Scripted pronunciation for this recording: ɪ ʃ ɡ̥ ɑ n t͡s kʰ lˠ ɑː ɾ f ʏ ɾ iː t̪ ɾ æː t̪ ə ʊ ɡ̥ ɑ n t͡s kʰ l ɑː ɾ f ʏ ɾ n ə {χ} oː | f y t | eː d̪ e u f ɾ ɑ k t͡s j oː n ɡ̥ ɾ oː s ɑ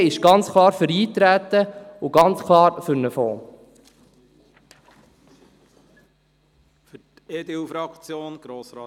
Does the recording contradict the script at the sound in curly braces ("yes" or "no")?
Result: yes